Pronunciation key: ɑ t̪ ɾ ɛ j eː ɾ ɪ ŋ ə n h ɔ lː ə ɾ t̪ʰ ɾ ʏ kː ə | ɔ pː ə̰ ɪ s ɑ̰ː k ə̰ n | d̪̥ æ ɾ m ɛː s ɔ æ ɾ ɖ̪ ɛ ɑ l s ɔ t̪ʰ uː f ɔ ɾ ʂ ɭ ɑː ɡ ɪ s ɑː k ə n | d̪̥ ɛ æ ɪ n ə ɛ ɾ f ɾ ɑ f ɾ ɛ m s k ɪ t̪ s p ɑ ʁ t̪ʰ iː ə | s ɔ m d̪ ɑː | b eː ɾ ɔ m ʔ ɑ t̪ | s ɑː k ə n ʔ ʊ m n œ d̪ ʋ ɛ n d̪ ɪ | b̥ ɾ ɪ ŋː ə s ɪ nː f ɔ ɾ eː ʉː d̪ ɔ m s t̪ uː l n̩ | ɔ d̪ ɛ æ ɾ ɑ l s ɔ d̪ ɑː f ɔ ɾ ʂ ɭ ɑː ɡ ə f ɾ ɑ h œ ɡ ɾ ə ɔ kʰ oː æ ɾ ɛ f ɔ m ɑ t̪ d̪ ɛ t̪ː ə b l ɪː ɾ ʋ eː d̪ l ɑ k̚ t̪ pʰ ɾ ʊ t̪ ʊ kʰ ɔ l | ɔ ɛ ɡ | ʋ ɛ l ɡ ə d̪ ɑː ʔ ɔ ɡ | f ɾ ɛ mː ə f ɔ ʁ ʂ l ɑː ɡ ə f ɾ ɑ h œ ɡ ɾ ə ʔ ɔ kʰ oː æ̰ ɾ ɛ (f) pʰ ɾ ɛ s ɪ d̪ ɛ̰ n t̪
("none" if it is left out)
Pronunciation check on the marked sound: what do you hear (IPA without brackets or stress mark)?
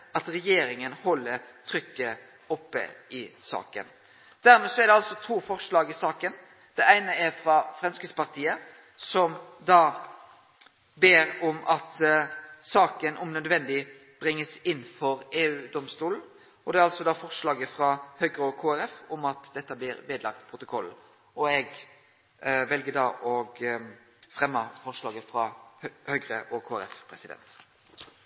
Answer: f